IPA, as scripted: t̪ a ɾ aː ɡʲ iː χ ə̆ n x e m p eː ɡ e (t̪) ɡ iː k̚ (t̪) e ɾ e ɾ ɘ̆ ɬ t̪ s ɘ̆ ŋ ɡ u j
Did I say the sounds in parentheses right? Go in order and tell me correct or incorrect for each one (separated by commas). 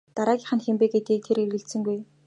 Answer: correct, incorrect